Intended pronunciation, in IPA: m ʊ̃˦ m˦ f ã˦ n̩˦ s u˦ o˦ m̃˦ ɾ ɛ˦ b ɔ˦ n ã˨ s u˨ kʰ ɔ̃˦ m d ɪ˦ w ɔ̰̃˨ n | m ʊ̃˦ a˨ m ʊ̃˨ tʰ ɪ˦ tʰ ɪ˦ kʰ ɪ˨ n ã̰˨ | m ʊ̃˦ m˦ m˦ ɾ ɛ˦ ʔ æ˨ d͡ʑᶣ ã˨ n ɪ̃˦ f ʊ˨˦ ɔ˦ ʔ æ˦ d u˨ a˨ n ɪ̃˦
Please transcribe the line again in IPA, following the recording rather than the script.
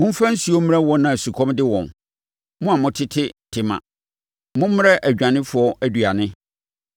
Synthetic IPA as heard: m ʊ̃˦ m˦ f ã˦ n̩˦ s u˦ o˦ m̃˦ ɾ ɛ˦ w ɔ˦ n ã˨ s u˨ kʰ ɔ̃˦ m d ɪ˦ w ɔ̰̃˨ n | m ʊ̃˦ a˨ m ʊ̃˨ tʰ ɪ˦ tʰ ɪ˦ tʰ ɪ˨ m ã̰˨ | m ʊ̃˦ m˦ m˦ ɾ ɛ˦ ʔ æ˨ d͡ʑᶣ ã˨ n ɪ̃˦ f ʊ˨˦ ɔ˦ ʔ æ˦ d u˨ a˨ n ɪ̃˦

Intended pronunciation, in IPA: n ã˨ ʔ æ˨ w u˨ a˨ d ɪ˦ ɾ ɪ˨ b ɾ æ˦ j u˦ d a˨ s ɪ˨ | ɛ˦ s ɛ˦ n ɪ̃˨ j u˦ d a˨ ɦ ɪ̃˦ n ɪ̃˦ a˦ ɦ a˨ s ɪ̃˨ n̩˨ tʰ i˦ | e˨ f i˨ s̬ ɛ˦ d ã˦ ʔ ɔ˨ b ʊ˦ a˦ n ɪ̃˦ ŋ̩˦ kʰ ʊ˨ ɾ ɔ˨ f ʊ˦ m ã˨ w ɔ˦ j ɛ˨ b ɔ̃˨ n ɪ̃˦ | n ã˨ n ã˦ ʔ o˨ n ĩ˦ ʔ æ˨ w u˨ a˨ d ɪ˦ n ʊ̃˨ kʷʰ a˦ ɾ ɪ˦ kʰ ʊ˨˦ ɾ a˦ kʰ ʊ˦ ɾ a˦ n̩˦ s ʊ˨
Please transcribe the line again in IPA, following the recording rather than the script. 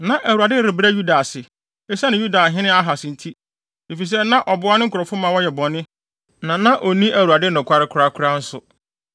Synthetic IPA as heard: n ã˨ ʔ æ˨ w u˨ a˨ d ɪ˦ ɾ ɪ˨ b ɾ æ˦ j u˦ d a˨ s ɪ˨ | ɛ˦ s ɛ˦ n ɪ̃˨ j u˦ d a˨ ɦ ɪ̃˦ n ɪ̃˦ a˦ ɦ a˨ s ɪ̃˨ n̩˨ tʰ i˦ | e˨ f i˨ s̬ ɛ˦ n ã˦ ʔ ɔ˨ b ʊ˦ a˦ n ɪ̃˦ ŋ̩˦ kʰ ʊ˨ ɾ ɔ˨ f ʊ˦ m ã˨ w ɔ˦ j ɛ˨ b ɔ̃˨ n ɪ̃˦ | n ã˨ n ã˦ ʔ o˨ n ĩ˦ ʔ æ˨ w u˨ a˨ d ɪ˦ n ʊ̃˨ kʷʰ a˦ ɾ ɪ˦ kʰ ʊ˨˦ ɾ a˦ kʰ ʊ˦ ɾ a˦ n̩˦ s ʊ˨

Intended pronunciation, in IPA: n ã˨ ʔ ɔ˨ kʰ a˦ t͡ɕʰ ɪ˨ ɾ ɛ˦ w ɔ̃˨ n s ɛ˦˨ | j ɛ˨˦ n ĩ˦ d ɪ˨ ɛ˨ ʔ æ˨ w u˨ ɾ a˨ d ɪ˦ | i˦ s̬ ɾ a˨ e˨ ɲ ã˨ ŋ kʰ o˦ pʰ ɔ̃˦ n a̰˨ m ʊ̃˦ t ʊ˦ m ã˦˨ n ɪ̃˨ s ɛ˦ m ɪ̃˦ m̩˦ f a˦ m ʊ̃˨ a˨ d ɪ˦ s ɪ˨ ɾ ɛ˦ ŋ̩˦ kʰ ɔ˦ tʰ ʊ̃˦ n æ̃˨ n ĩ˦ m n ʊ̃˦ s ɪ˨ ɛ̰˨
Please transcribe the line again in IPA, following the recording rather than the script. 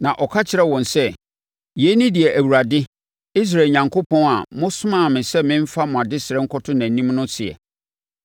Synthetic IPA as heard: n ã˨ ʔ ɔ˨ kʰ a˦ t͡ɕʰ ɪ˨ ɾ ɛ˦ w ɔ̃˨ n s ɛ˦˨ | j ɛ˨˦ n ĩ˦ d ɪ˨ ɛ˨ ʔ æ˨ w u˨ ɾ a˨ d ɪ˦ | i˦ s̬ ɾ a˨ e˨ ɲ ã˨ ŋ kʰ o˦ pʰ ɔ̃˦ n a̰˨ m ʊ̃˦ s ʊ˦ m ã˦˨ m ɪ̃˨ s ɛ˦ m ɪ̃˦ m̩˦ f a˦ m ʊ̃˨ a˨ d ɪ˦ s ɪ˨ ɾ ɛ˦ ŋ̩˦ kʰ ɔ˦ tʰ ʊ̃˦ n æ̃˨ n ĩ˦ m n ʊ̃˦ s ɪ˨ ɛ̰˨

